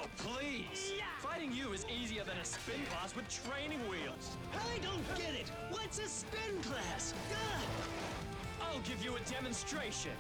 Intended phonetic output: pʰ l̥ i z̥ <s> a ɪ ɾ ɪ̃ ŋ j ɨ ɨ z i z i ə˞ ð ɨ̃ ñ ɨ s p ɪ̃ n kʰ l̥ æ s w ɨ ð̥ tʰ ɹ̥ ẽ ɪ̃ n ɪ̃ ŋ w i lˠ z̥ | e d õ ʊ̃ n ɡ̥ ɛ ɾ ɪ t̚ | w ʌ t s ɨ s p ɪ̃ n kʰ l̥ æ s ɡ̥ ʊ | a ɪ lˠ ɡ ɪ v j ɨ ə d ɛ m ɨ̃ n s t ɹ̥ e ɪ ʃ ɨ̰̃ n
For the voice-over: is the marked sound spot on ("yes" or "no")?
no